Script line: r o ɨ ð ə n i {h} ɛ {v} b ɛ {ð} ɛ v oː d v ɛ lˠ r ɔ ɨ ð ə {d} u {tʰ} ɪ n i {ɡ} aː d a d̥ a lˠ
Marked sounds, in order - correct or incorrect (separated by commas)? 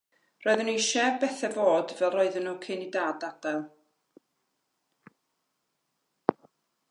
incorrect, correct, incorrect, incorrect, incorrect, incorrect